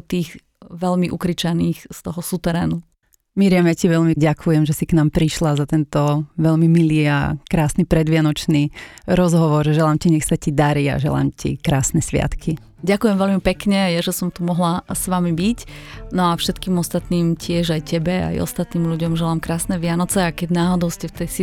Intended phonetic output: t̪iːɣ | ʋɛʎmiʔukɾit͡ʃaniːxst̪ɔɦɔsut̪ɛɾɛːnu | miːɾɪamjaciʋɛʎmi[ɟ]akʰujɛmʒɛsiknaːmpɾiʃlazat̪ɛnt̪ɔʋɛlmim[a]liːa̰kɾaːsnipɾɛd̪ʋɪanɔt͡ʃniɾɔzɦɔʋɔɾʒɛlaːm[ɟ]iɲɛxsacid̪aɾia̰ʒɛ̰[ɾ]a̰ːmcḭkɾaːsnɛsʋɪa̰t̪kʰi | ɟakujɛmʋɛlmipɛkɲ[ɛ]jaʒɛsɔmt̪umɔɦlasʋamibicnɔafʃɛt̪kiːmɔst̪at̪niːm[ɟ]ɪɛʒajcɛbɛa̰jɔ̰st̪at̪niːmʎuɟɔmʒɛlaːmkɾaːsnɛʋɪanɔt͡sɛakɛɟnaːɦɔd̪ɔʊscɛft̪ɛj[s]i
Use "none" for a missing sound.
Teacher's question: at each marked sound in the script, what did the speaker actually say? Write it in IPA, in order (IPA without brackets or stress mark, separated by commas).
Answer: ɟ, i, c, l, ɛ, c, s